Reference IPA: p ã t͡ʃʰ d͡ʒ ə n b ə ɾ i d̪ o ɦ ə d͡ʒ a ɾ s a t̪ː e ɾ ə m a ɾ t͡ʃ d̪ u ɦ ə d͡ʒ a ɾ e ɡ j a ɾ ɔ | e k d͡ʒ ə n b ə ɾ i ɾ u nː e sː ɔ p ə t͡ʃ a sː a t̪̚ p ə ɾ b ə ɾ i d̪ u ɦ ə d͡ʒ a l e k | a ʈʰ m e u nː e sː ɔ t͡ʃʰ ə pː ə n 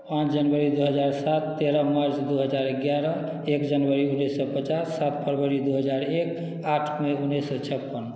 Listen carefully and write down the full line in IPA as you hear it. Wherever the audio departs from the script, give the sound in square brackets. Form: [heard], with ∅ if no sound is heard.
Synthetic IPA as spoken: p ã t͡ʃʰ d͡ʒ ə n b ə ɾ i d̪ [u] ɦ ə d͡ʒ a ɾ s a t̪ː e ɾ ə m a ɾ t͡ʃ d̪ u ɦ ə d͡ʒ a ɾ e ɡ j a ɾ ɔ | e k d͡ʒ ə n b ə ɾ i [∅] u nː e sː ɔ p ə t͡ʃ a sː a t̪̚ p ə ɾ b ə ɾ i d̪ u ɦ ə d͡ʒ a [ɾ] e k | a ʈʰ m e u nː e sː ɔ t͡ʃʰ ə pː ə n